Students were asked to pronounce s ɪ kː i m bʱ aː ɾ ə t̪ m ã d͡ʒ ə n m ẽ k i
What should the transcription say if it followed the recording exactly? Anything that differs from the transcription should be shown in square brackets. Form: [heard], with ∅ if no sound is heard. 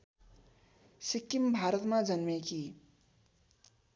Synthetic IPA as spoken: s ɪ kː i m bʱ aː ɾ ə t̪ m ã d͡ʒ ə n m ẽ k i